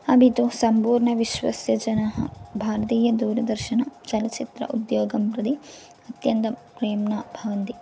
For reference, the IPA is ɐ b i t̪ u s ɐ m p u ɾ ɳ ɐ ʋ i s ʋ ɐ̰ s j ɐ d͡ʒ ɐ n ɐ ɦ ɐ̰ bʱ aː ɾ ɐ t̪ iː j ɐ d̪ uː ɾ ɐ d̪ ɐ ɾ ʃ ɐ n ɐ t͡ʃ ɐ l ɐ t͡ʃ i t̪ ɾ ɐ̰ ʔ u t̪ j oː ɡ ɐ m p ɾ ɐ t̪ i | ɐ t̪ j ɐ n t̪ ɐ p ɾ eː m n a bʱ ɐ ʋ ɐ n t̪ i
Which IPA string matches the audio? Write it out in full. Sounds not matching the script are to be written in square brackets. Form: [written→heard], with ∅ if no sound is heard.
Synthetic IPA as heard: ɐ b i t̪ u s ɐ m p [u→uː] ɾ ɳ ɐ ʋ i [s→ʃ] ʋ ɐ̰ s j ɐ d͡ʒ ɐ n ɐ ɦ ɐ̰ bʱ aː ɾ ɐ t̪ iː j ɐ d̪ uː ɾ ɐ d̪ ɐ ɾ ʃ ɐ n ɐ t͡ʃ ɐ l ɐ t͡ʃ i t̪ ɾ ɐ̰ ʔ u [t̪→d̪] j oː ɡ ɐ m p ɾ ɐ [t̪→d̪] i | ɐ t̪ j ɐ n t̪ ɐ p ɾ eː m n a bʱ ɐ ʋ ɐ n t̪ i